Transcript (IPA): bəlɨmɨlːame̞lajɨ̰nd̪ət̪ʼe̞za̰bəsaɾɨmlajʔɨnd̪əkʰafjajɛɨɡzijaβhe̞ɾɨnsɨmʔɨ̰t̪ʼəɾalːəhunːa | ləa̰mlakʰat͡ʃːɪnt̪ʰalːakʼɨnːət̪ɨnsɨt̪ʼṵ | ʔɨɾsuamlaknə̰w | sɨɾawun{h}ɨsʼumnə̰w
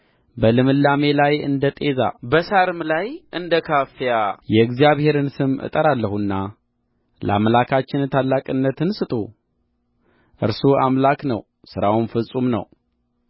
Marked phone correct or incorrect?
incorrect